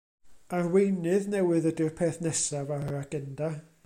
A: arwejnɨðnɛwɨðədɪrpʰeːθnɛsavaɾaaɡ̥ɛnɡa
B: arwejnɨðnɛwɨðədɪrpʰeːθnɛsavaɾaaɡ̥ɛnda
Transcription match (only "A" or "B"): B